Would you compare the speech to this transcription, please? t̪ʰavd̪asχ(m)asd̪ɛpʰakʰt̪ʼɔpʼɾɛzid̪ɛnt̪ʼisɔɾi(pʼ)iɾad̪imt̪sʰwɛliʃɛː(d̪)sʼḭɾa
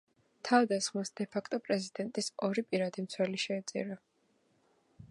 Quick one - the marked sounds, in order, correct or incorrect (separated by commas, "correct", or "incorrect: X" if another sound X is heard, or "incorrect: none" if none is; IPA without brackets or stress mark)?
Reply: correct, correct, incorrect: t̪